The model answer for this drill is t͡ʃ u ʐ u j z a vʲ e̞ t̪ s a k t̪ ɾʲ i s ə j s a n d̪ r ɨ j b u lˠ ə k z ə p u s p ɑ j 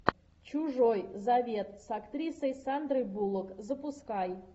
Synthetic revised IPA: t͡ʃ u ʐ o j z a vʲ e̞ t̪ s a k t̪ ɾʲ i s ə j s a n d̪ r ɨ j b u lˠ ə k z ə p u s k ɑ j